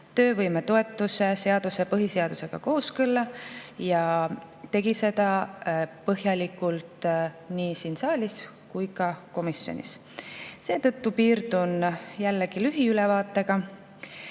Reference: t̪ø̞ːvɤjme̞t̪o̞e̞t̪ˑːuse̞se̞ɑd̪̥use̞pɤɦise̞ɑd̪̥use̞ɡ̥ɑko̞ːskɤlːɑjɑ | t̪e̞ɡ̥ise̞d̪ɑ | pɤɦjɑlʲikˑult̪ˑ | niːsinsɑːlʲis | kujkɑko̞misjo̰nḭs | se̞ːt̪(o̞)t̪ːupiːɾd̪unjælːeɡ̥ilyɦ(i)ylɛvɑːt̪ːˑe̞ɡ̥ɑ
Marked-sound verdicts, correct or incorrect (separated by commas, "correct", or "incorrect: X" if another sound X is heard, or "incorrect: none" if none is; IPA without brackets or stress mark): incorrect: ɤ̞, correct